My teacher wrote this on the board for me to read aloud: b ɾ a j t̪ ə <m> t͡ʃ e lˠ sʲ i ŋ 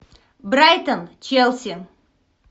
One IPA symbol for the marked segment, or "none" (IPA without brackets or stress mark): n